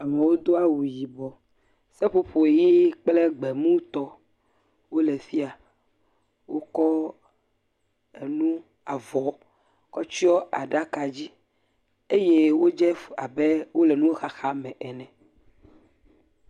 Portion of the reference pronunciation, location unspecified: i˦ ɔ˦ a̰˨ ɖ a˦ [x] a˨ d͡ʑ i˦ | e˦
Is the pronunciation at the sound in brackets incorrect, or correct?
incorrect